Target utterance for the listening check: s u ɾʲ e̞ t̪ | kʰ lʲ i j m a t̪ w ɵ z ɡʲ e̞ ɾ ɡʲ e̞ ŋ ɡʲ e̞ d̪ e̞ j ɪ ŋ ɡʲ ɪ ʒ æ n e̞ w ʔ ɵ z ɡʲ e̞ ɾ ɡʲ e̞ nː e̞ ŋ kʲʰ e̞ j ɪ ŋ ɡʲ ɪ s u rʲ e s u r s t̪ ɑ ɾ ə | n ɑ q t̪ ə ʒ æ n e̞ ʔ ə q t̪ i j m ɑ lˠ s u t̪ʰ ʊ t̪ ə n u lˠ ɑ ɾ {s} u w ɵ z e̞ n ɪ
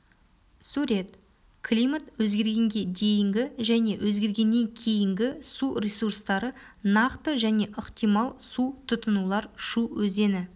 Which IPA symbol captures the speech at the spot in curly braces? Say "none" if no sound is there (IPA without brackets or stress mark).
ʃ